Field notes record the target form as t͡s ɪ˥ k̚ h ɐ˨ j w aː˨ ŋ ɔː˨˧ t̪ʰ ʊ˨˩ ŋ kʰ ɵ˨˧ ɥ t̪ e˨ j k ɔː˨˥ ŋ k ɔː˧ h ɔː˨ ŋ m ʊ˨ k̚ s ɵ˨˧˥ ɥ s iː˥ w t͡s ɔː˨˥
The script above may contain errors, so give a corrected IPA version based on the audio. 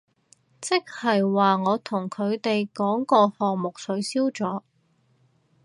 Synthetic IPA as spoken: t͡s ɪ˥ k̚ h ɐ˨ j w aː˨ ŋ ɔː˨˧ t̪ʰ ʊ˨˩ ŋ kʰ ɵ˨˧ ɥ t̪ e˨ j k ɔː˨˥ ŋ k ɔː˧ h ɔː˨ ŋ m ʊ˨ k̚ s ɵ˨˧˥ ɥ s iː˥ w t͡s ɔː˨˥